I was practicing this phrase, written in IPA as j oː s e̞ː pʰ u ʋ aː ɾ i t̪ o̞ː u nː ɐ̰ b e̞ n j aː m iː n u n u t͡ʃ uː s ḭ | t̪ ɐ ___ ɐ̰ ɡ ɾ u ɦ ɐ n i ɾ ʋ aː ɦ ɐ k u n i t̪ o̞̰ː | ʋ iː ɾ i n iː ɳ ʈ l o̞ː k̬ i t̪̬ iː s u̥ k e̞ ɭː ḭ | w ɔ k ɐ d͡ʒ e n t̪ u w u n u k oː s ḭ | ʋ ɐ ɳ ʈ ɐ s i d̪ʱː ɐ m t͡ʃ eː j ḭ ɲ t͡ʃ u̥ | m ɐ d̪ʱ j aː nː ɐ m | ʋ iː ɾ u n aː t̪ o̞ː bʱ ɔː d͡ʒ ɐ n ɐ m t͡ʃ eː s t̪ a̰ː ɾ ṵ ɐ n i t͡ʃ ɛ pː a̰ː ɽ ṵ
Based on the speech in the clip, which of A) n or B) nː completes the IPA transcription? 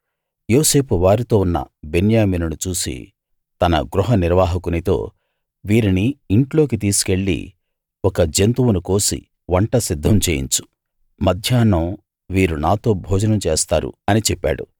A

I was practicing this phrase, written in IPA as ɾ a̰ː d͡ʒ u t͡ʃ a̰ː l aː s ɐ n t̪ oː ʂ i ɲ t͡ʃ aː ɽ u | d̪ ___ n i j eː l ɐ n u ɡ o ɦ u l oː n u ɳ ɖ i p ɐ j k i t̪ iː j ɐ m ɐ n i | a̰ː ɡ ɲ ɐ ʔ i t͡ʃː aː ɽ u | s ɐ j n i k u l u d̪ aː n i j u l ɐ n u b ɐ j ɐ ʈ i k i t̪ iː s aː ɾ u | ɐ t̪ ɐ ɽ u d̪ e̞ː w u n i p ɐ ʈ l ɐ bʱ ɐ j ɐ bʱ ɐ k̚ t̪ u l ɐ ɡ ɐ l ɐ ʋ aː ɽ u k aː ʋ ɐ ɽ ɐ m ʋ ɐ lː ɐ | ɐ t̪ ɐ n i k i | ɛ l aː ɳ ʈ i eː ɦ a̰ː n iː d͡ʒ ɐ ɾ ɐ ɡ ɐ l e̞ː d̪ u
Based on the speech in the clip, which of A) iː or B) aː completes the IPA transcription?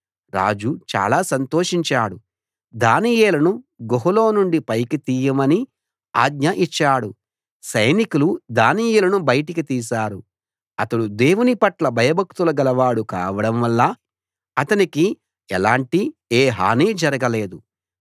B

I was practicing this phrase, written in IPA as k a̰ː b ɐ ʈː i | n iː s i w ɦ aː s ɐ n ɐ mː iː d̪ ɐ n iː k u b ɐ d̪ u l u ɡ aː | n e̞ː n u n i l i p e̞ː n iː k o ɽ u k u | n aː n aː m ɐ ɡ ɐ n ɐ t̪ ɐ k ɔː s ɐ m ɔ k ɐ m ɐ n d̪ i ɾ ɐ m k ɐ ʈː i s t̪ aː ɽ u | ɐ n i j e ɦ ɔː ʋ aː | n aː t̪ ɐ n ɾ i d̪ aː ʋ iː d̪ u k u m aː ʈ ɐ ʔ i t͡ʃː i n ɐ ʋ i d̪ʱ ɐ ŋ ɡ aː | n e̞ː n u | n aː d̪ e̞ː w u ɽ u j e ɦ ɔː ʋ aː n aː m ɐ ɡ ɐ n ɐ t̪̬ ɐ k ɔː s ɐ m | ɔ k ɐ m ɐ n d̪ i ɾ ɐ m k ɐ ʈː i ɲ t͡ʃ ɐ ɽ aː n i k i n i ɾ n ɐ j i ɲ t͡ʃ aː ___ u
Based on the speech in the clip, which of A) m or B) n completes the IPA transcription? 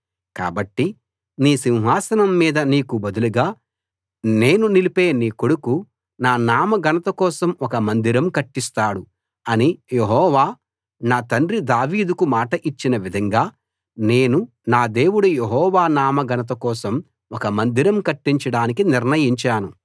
B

